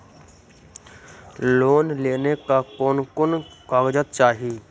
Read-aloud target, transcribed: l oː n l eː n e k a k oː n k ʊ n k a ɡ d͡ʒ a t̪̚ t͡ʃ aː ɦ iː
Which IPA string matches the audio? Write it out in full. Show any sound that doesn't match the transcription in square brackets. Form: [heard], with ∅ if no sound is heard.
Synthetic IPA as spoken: l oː n l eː n e k a k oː n k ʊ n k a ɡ d͡ʒ [ə] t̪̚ t͡ʃ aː ɦ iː

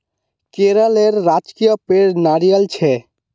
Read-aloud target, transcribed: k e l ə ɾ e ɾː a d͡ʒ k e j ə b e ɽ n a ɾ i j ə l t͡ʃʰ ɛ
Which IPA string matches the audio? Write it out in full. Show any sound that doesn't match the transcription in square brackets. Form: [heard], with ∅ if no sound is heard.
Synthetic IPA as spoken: k e [ɾ] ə [l] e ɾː a d͡ʒ k [i] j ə [p] e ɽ n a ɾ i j ə l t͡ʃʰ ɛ

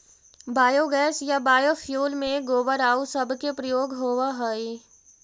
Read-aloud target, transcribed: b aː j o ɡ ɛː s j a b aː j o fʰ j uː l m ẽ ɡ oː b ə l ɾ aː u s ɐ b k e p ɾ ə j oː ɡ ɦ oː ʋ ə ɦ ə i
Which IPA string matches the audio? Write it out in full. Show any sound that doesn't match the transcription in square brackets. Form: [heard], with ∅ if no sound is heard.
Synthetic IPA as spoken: b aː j o ɡ ɛː s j a b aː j o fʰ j uː l m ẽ ɡ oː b ə [∅] ɾ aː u s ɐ b k e p ɾ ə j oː ɡ ɦ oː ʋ [a] ɦ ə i

